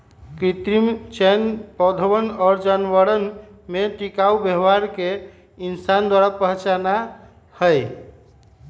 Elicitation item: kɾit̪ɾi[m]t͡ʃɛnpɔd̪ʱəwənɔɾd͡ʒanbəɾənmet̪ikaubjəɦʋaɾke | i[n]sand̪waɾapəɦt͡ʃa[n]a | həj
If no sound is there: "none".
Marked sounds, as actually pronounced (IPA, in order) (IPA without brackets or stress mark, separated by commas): m, n, n